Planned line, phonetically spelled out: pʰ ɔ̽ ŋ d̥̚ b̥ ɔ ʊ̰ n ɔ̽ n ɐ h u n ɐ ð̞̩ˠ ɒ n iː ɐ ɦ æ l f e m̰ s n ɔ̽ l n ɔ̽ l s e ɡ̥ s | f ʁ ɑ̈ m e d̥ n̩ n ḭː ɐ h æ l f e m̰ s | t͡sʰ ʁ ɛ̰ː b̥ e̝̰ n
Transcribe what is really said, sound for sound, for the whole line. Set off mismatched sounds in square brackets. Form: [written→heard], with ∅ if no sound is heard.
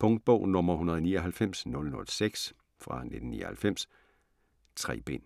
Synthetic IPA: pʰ ɔ̽ ŋ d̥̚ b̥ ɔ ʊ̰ n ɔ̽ [n→m] ɐ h u n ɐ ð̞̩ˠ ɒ n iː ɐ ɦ æ l f e m̰ s n ɔ̽ l n ɔ̽ l s e ɡ̥ s | f ʁ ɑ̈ [m→n] e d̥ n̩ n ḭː ɐ h æ l f e m̰ s | t͡sʰ ʁ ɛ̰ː b̥ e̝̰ n